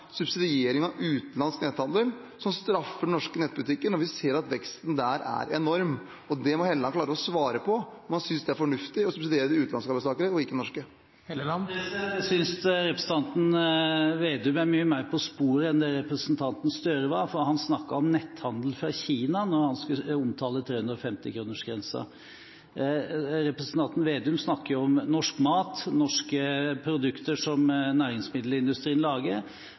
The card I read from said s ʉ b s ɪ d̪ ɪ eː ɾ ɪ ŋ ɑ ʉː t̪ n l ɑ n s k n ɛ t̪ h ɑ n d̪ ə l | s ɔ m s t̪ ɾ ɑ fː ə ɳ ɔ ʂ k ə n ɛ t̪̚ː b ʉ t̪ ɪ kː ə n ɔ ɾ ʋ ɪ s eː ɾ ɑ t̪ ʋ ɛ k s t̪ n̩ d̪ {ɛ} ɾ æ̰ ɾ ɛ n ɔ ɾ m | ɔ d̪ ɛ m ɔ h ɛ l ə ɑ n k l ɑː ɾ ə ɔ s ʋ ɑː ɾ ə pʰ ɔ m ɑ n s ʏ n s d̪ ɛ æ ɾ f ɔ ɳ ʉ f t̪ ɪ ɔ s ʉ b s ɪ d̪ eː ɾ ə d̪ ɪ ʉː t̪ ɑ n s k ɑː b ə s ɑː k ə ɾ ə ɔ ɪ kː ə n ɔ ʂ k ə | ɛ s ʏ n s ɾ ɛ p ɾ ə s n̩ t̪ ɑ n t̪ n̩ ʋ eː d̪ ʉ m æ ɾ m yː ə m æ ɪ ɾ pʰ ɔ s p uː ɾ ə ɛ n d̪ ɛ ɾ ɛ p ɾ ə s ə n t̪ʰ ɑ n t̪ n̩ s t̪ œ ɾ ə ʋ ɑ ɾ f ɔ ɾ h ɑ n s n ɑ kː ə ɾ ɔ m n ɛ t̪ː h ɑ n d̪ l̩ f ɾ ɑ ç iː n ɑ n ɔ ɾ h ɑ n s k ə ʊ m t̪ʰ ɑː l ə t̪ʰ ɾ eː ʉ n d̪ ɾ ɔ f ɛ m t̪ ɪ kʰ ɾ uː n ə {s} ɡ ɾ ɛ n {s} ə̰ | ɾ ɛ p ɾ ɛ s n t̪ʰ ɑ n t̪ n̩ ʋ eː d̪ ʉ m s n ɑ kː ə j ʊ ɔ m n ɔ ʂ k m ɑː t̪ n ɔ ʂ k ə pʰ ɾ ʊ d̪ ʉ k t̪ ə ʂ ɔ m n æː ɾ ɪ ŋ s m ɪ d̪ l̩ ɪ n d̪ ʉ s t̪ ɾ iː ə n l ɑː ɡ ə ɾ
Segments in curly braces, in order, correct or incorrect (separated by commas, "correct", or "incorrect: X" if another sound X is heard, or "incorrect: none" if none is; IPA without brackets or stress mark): incorrect: æ, incorrect: ʂ, correct